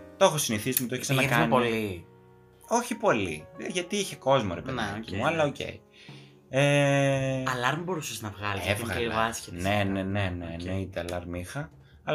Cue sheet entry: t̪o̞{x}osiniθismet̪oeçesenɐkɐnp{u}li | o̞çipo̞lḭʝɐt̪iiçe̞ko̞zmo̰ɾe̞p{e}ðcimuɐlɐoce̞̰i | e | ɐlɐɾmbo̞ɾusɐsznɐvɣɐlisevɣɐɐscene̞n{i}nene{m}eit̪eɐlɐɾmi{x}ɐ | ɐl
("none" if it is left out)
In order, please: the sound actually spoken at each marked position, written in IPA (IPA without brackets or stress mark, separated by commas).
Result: x, o, e, e, n, x